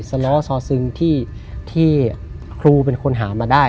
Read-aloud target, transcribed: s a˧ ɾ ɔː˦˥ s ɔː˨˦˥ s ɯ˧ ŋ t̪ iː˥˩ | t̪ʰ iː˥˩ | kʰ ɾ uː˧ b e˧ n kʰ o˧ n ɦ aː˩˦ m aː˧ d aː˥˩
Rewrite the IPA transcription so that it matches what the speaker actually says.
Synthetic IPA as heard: s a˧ l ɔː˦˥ s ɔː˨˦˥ s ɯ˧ ŋ t̪ʰ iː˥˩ | t̪ʰ iː˥˩ | kʰ ɾ uː˧ p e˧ n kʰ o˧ n ɦ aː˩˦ m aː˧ d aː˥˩